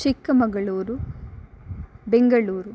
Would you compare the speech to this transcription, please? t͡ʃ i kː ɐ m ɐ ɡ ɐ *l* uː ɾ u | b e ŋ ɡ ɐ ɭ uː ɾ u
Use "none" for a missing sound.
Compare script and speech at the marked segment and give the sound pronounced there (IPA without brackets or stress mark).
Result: ɭ